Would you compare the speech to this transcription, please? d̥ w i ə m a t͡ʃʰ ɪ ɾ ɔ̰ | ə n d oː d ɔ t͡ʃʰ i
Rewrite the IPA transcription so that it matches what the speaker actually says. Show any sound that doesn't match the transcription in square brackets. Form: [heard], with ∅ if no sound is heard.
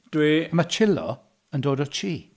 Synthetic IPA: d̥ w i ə m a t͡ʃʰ ɪ [l] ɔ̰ | ə n d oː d ɔ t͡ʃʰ [iː]

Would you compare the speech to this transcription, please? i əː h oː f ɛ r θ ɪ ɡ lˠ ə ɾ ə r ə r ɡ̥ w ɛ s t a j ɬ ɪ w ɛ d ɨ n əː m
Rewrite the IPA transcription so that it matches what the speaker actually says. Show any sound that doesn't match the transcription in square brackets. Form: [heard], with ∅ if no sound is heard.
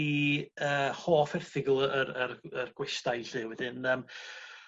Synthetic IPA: i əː h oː f ɛ r θ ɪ ɡ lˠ ə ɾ ə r ə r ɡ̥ w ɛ s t a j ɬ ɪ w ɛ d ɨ n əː m

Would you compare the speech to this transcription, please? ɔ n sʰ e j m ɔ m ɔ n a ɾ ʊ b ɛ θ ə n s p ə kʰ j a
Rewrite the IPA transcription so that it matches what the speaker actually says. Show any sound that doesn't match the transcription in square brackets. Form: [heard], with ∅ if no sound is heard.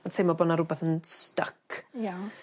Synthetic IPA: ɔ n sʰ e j m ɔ [b] ɔ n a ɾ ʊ b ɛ θ ə n s [t] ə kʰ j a

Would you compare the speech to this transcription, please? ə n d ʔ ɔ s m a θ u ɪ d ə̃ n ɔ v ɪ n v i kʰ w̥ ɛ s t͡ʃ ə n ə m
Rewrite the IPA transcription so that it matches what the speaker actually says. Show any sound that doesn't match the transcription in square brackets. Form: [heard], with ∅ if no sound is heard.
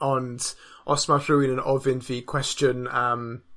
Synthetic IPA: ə n d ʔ ɔ s m a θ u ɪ [n] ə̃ n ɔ v ɪ n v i kʰ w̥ ɛ s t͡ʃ ə n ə m

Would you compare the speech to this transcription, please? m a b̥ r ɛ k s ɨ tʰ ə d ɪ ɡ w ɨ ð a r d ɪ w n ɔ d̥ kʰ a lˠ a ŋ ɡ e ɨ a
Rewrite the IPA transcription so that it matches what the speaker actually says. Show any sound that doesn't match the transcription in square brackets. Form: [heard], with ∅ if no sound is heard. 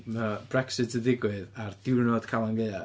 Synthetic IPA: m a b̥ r ɛ k s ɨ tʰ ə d ɪ ɡ w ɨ ð a r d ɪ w n ɔ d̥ kʰ a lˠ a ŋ ɡ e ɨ a

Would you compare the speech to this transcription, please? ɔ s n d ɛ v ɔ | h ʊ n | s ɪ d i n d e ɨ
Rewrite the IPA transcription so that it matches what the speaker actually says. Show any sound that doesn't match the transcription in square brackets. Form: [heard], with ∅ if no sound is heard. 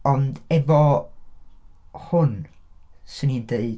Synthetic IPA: ɔ [∅] n d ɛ v ɔ | h ʊ n | s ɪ [n] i n d e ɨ

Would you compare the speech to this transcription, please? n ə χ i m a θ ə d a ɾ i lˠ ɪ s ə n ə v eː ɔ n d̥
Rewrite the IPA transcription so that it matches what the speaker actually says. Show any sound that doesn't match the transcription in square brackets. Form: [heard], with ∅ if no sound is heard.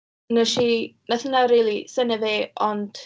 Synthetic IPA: n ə [ʃ] i [n] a θ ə [n] a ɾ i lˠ [i] s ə n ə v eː ɔ n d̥

